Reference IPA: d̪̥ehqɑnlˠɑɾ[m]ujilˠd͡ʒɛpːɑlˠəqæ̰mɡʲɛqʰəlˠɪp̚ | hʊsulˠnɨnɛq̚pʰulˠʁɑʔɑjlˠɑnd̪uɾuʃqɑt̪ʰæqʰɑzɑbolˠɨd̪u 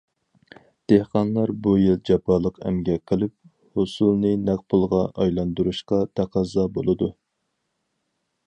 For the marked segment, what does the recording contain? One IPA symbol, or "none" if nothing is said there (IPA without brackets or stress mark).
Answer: b